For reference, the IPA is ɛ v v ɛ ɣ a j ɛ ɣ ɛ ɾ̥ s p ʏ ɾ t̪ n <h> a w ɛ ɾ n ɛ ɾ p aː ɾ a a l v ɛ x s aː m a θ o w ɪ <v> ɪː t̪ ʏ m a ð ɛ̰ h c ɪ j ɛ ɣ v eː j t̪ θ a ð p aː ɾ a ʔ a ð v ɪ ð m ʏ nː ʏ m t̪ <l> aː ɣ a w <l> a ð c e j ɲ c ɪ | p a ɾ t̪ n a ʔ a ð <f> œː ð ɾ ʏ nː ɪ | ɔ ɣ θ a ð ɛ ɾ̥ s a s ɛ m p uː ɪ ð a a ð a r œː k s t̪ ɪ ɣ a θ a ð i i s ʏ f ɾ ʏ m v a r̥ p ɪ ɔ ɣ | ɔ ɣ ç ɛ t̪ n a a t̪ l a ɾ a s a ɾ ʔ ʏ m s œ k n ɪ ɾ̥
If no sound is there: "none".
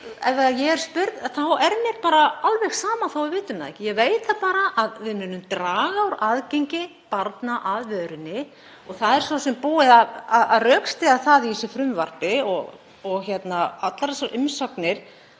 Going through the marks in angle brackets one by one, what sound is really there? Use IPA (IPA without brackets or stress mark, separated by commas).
θ, v, ɾ, ɾ, v